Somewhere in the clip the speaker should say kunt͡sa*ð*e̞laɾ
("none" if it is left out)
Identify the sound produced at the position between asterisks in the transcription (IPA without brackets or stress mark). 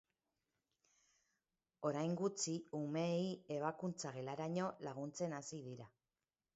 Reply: ɣ